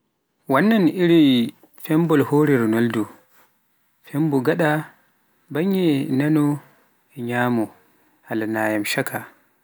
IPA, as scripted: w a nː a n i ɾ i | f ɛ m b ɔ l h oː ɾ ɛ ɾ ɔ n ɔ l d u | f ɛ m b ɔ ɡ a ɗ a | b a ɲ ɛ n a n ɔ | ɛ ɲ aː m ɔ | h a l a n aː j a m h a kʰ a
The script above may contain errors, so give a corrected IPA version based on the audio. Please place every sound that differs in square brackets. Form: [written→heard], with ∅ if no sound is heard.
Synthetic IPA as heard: w a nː a n i ɾ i | f ɛ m b ɔ l h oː ɾ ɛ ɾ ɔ n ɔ l d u | f ɛ m b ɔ ɡ a ɗ a | b a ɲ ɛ n a n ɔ | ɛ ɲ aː m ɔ | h a l a n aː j a m [h→ʃ] a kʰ a

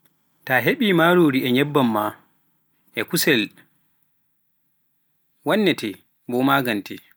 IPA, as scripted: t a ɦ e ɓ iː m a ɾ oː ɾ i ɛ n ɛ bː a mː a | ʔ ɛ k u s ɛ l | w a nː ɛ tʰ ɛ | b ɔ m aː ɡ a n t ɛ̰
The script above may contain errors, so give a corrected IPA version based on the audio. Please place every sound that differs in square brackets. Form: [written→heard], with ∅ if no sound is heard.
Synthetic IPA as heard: t a ɦ e ɓ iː m a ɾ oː ɾ i ɛ [n→ɲ] ɛ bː a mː a | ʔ ɛ k u s ɛ l | w a nː ɛ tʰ ɛ | b ɔ m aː ɡ a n t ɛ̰

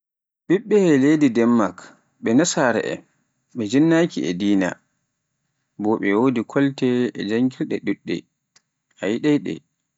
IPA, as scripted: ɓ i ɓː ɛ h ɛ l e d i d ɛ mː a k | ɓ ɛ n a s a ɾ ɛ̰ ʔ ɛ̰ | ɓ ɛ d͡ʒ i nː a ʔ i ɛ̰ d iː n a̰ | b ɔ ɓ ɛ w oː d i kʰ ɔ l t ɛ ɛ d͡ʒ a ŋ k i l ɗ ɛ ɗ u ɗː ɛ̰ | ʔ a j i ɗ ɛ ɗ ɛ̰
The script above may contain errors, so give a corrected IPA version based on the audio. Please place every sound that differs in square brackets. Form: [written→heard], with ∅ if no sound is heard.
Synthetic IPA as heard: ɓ i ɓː ɛ h ɛ l e d i d ɛ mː a k | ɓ ɛ n a s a ɾ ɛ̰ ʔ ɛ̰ | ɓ ɛ d͡ʒ i nː a [ʔ→k] i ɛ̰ d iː n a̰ | b ɔ ɓ ɛ w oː d i kʰ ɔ l t ɛ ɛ d͡ʒ a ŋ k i l ɗ ɛ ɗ u ɗː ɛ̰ | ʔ a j i ɗ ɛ ɗ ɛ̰

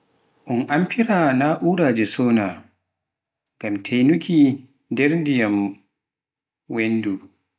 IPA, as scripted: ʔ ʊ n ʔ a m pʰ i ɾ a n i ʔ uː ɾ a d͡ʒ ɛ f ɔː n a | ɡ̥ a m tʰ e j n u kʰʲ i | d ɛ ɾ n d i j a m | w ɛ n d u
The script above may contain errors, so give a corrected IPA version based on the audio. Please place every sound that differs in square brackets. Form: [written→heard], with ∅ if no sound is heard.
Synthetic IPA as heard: ʔ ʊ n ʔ a m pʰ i ɾ a n [i→a] ʔ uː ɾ a d͡ʒ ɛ [f→s] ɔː n a | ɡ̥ a m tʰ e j n u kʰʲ i | d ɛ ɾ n d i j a m | w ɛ n d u

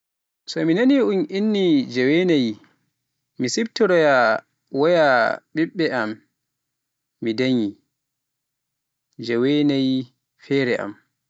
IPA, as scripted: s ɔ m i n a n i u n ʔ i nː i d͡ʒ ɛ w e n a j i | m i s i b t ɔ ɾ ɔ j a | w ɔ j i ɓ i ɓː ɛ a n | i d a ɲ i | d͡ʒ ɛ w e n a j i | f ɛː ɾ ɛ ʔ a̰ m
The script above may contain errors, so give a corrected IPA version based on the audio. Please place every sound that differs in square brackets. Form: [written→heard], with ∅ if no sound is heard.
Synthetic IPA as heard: s ɔ m i n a n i u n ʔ i nː i d͡ʒ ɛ w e n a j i | m i s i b t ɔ ɾ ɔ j a | w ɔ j [i→a] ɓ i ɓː ɛ a [n→m] | i d a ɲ i | d͡ʒ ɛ w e n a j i | f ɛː ɾ ɛ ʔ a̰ m

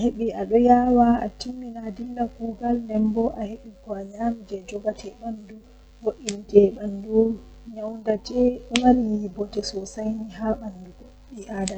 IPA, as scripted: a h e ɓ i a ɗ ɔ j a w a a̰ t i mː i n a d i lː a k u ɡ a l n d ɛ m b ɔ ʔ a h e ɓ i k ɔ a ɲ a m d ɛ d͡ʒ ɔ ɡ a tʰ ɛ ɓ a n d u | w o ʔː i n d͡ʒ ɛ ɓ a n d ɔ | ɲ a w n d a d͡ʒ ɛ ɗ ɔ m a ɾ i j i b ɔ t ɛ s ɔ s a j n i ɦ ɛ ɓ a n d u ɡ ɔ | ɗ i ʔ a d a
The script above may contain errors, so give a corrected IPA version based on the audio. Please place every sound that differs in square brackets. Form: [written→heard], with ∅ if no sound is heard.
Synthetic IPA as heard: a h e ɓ i a ɗ ɔ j a w a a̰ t i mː i n a d i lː a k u ɡ a l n d ɛ m b ɔ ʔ a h e ɓ i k ɔ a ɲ a m [d→d͡ʒ] ɛ d͡ʒ ɔ ɡ a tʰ ɛ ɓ a n d u | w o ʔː i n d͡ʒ ɛ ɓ a n d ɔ | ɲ a w n d a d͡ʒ ɛ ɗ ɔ m a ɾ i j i b ɔ t ɛ s ɔ s a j n i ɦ [ɛ→a] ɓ a n d u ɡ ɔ | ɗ i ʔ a d a

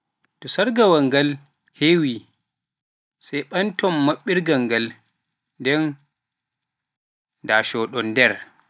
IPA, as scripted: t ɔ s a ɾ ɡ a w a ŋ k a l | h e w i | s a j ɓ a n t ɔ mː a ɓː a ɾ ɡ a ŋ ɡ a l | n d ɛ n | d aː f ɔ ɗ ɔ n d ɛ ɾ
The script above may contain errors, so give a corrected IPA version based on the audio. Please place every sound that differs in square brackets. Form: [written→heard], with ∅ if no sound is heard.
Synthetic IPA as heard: t ɔ s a ɾ ɡ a w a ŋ [k→ɡ] a l | h e w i | s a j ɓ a n t ɔ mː a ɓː [a→i] ɾ ɡ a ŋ ɡ a l | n d ɛ n | d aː [f→ʃ] ɔ ɗ ɔ n d ɛ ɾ

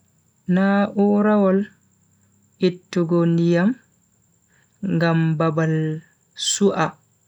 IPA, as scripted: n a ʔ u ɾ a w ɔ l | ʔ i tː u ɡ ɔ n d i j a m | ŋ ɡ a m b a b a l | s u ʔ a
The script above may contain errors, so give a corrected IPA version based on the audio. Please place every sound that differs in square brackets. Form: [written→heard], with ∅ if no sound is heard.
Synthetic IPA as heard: n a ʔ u ɾ a w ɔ l | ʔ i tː u ɡ ɔ n d i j a m | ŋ ɡ a m b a b a l | s u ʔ a

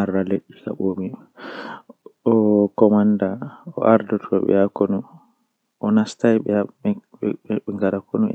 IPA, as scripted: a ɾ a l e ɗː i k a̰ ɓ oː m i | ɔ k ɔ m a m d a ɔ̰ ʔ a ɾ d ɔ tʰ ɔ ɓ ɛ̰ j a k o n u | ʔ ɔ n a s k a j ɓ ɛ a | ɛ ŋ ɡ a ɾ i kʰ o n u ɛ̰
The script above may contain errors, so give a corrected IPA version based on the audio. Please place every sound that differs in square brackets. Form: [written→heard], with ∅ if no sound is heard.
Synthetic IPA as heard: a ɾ a l e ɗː i k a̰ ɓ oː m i | ɔ k ɔ m a [m→n] d a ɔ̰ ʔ a ɾ d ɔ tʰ ɔ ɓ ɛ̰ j a k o n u | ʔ ɔ n a s [k→t] a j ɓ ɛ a | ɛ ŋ ɡ a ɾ [i→a] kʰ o n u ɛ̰

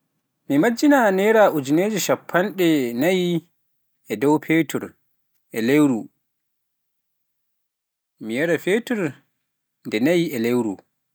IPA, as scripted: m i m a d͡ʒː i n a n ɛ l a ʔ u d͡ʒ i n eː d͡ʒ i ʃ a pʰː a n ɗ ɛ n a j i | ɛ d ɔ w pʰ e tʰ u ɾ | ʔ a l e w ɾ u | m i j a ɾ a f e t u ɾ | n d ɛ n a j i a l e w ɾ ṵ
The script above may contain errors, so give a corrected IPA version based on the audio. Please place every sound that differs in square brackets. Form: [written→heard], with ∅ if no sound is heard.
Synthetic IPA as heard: m i m a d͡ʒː i n a n ɛ [l→ɾ] a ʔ u d͡ʒ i n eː d͡ʒ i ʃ a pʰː a n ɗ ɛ n a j i | ɛ d ɔ w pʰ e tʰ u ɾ | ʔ [a→ɛ] l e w ɾ u | m i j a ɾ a f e t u ɾ | n d ɛ n a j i [a→ɛ] l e w ɾ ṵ

